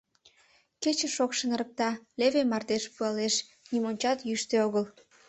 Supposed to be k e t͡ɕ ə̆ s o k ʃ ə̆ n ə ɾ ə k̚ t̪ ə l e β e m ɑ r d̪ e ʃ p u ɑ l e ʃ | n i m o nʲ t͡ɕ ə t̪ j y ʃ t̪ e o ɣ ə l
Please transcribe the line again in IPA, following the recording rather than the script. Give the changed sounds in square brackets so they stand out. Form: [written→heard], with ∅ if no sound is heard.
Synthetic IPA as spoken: k e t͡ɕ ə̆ [s→ʃ] o k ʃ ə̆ n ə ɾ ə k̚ t̪ [ə→ɑ] l e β e m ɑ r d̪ e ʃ p u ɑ l e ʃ | n i m o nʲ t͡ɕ [ə→ɑ] t̪ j y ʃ t̪ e o ɣ ə l